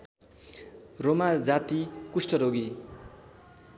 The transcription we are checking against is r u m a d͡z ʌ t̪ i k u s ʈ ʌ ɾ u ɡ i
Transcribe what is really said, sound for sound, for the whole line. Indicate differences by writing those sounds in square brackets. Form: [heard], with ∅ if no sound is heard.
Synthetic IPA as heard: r [o] m a d͡z [a] t̪ i k u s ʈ ʌ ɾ [o] ɡ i

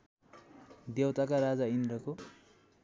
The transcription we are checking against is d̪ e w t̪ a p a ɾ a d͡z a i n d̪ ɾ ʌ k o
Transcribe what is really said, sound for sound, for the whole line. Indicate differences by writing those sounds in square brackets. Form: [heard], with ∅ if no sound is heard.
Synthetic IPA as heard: d̪ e w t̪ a [k] a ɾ a d͡z a i n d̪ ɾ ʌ k o

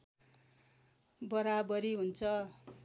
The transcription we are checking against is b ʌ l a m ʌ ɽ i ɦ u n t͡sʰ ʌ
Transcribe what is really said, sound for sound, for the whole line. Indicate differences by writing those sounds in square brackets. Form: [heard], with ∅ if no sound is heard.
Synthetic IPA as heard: b ʌ [ɾ] a [b] ʌ [ɾ] i ɦ u n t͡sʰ ʌ

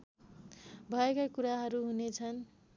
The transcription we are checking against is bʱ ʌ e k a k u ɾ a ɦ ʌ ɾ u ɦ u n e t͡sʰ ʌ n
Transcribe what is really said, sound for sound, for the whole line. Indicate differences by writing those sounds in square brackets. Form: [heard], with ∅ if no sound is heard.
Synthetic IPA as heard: bʱ ʌ e k a k u ɾ a ɦ ʌ ɾ u ɦ u n e t͡sʰ ʌ n

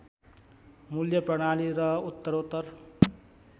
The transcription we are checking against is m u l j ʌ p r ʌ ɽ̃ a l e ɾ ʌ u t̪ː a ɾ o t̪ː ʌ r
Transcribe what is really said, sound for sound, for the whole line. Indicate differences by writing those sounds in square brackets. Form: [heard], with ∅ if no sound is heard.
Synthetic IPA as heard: m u l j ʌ p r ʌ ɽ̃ a l [i] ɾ ʌ u t̪ː [ʌ] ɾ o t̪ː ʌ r

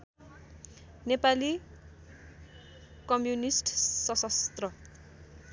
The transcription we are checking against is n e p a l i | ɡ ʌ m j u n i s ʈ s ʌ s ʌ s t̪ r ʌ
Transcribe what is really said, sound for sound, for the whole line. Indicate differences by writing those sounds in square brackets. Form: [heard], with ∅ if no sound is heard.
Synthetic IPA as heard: n e p a l i | [k] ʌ m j u n i s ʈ s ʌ s ʌ s t̪ r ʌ

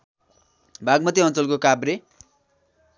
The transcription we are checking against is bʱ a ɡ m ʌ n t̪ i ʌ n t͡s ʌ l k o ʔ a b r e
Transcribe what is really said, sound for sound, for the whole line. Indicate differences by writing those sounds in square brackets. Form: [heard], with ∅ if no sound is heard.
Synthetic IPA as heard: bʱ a ɡ m ʌ [∅] t̪ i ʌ n t͡s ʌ l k o [k] a b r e

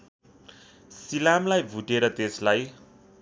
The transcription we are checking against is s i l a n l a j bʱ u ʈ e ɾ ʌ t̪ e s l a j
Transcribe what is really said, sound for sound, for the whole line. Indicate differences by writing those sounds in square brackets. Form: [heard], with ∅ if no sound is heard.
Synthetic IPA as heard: s i l a [m] l a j bʱ u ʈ e ɾ ʌ t̪ e s l a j

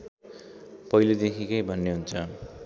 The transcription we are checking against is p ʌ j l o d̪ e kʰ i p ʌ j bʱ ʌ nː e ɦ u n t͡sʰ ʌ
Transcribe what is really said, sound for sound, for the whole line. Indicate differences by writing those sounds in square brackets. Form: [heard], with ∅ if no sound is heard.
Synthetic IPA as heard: p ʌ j l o d̪ e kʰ i [k] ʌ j bʱ ʌ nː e ɦ u n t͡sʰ ʌ

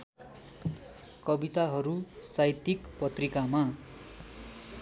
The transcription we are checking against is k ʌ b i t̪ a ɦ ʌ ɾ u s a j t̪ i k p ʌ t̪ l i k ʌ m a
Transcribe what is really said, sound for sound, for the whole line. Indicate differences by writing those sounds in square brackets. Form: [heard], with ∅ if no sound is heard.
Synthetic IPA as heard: k ʌ b i t̪ a ɦ ʌ ɾ u s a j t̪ i k p ʌ t̪ [r] i k [a] m a

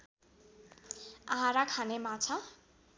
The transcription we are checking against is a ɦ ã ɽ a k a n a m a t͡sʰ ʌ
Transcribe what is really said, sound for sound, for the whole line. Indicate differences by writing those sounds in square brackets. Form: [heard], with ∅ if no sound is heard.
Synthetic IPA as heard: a ɦ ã [ɾ] a [kʰ] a n [e] m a t͡sʰ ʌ

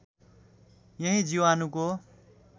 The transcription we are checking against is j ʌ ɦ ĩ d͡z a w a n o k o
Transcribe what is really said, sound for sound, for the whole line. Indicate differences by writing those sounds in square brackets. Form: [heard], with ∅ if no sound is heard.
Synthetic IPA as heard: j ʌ ɦ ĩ d͡z [i] w a n [u] k o

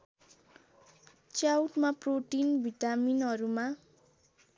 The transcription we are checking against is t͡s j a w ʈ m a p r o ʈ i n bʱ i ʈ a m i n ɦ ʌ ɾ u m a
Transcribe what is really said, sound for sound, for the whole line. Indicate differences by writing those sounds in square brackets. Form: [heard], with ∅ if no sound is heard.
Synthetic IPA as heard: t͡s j a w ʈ m a p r o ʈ i n bʱ i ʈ a m i n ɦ ʌ ɾ u m a

